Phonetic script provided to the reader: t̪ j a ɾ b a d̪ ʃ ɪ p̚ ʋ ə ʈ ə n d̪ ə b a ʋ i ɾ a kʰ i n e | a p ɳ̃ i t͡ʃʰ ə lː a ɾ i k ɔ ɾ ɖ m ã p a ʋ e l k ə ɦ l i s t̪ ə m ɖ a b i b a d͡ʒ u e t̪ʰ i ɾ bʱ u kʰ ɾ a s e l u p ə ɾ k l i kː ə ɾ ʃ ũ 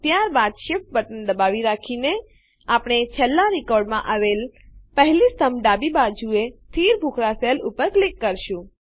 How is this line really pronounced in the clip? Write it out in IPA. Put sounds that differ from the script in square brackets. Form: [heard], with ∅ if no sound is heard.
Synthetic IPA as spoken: t̪ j a ɾ b a d̪ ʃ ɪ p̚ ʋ ə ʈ ə n d̪ ə b a ʋ i ɾ a kʰ i n e | a p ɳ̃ [e] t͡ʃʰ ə lː a ɾ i k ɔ ɾ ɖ m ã [ʔ] a ʋ e l [p] ə ɦ l i s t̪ ə m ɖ a b i b a d͡ʒ u e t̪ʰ i ɾ bʱ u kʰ ɾ a s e l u p ə ɾ k l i kː ə ɾ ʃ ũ